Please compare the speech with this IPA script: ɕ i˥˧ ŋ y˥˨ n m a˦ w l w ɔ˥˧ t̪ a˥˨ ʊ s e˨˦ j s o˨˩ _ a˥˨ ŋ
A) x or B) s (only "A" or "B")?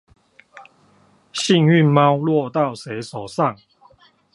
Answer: B